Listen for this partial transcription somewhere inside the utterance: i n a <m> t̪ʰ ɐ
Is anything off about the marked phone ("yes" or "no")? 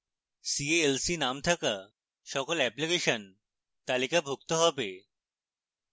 no